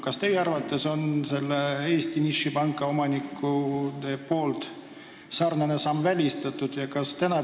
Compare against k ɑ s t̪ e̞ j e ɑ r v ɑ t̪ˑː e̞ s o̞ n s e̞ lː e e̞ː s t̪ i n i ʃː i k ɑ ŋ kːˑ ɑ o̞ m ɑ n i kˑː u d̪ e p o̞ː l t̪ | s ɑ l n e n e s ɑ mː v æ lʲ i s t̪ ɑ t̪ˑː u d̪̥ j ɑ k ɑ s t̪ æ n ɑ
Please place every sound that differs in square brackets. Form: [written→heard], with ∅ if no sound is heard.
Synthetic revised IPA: k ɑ s t̪ e̞ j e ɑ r v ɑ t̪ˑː e̞ s o̞ n s e̞ lː e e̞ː s t̪ i n i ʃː i [k→p] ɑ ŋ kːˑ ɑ o̞ m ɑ n i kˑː u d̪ e p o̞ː l t̪ | s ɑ [l→r] n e n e s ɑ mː v æ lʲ i s t̪ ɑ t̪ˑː u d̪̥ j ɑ k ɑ s t̪ æ n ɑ